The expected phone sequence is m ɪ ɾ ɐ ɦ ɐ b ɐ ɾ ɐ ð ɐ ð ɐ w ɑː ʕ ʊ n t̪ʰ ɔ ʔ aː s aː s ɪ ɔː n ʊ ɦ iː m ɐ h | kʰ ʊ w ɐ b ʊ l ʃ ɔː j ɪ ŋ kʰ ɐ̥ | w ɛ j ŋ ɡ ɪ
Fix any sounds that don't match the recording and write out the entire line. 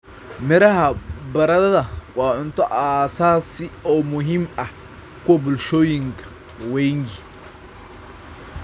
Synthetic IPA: m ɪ ɾ ɐ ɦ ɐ b ɐ ɾ ɐ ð ɐ ð ɐ w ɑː ʕ ʊ n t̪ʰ ɔ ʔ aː s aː s ɪ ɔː m ʊ ɦ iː m ɐ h | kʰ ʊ w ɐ b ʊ l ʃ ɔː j ɪ ŋ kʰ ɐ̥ | w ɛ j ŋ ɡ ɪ